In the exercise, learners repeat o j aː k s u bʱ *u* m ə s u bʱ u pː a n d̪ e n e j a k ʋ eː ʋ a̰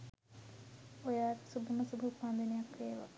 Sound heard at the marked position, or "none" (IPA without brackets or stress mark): u